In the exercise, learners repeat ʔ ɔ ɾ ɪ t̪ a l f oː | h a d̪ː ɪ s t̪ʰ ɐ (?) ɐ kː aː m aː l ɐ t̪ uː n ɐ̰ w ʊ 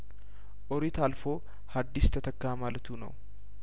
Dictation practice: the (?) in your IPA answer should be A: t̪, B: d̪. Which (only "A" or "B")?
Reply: A